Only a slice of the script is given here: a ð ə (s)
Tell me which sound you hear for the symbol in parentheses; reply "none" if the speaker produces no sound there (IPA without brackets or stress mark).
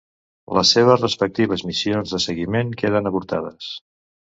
s